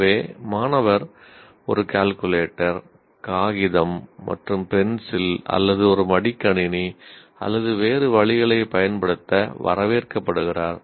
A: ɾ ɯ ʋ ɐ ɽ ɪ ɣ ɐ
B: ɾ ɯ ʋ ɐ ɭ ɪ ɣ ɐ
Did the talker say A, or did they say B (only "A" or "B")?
B